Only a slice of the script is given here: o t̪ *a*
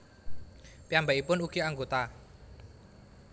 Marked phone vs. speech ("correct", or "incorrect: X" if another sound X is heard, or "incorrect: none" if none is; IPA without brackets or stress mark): correct